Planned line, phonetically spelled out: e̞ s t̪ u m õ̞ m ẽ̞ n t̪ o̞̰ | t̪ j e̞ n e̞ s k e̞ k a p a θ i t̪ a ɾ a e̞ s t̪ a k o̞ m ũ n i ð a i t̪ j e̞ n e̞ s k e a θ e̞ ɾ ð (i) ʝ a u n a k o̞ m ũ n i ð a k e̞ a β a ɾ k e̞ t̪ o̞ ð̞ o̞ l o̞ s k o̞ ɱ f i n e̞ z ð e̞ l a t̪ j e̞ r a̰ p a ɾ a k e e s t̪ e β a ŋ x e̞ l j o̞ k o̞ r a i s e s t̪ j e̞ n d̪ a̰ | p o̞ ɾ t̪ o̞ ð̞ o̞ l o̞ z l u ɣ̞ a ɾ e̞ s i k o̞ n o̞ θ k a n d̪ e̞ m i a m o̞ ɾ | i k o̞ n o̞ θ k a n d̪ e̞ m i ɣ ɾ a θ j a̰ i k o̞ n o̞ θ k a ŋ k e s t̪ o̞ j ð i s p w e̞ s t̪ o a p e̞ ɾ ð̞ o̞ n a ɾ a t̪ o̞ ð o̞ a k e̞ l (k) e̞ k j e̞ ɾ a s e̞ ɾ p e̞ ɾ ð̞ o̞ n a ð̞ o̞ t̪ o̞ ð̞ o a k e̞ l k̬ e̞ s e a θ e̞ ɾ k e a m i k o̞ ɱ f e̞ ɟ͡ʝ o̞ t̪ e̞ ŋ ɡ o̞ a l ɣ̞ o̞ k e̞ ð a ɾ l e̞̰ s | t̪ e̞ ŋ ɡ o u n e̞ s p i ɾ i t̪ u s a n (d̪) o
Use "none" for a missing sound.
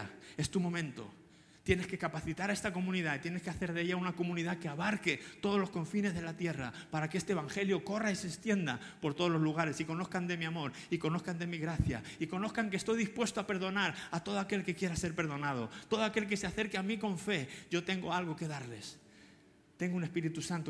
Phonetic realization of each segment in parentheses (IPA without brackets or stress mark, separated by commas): e, k, t̪